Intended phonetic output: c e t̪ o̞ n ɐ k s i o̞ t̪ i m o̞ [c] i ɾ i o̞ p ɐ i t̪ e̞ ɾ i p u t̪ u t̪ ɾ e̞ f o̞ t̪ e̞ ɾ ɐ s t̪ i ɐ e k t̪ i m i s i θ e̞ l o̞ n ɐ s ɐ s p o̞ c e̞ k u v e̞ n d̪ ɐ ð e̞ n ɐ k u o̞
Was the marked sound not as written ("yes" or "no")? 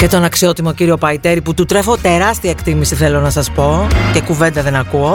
no